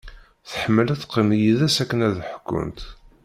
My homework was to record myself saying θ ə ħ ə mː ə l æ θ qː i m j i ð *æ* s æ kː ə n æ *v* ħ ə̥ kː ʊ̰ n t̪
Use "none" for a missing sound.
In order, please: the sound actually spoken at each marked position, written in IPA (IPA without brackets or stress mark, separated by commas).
æ, ð